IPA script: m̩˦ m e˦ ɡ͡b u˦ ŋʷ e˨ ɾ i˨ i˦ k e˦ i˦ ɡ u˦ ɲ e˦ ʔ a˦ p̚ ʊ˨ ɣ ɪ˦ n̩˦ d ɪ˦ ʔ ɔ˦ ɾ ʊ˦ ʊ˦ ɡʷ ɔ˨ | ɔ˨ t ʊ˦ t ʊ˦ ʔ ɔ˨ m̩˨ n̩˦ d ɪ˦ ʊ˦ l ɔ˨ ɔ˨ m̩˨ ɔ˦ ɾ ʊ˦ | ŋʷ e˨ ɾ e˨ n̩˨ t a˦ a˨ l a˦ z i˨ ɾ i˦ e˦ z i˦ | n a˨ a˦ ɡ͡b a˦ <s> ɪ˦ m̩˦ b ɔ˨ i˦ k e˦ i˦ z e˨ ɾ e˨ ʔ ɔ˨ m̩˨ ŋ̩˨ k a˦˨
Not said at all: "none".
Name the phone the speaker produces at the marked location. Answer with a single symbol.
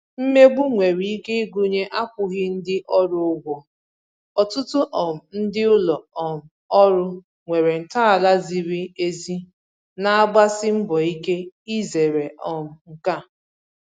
s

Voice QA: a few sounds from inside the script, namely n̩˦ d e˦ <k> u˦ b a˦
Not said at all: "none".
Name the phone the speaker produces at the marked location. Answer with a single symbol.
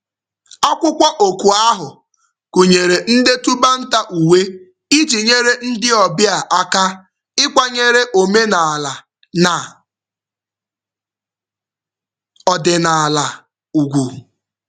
t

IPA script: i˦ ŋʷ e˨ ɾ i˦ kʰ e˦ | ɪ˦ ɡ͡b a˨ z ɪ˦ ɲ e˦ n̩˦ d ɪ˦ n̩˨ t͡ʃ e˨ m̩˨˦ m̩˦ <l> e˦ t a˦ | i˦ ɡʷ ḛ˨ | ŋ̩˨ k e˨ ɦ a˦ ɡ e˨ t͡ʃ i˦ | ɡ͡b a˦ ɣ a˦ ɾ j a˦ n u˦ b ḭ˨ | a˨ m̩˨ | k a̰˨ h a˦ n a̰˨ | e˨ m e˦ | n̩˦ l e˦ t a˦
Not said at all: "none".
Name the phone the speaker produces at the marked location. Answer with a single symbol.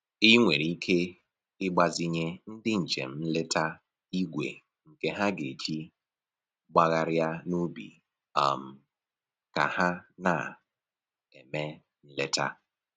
l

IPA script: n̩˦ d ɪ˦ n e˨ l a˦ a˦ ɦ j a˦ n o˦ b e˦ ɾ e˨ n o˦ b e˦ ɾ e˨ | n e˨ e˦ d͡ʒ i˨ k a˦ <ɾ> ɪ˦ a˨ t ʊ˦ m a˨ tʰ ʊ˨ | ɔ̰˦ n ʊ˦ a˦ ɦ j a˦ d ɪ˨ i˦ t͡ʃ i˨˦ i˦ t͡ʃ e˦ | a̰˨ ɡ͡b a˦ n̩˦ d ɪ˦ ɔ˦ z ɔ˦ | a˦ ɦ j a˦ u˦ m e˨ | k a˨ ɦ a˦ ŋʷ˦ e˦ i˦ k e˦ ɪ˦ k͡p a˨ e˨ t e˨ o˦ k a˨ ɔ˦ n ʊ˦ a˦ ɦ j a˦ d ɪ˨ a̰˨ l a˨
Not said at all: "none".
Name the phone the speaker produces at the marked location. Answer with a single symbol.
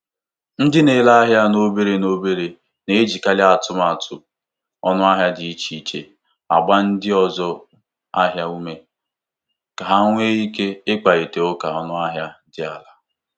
l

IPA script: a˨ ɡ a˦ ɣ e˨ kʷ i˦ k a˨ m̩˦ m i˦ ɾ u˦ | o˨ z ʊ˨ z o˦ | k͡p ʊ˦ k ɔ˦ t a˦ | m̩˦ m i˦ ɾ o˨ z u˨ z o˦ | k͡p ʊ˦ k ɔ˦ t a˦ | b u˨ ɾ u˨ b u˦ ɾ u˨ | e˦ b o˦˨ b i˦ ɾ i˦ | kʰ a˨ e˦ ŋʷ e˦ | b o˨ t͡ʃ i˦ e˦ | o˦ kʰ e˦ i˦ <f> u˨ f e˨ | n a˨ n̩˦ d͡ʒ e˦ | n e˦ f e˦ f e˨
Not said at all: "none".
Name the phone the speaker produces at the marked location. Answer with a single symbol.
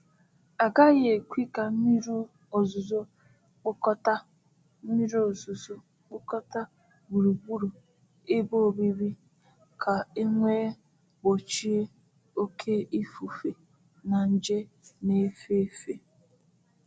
f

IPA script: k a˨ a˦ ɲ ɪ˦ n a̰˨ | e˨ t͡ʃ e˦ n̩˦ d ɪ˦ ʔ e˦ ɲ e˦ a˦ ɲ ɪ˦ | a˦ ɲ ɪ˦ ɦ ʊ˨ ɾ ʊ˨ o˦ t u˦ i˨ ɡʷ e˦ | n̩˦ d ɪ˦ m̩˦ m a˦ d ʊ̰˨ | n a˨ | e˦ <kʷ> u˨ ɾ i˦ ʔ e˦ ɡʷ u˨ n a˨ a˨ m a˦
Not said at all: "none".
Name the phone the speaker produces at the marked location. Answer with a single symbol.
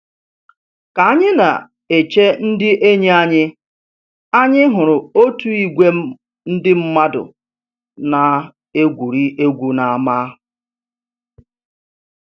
ɡʷ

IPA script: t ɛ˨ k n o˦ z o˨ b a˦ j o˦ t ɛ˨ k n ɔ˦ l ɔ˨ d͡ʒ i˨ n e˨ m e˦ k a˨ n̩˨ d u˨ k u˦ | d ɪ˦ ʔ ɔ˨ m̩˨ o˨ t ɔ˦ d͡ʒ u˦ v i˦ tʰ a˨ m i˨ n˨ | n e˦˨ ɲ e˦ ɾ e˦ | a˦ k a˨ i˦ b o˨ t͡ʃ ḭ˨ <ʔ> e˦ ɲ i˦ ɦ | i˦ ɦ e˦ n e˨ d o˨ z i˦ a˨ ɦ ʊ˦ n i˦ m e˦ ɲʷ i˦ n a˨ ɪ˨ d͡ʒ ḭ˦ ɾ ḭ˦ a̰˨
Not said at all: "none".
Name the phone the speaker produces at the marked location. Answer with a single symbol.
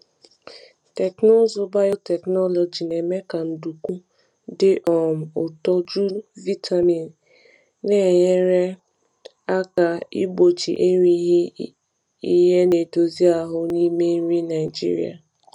ʔ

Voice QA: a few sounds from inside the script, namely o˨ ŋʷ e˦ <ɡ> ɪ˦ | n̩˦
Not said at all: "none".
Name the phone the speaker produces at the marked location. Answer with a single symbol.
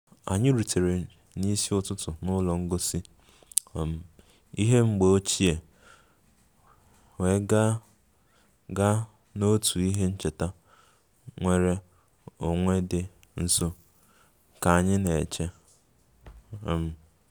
d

